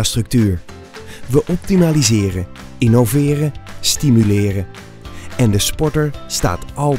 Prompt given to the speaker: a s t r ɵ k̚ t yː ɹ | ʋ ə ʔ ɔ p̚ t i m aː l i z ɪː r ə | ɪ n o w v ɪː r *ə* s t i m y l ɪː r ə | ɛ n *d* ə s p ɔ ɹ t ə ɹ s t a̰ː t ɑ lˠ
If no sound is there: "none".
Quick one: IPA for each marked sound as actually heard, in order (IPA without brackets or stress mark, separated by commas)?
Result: ə, d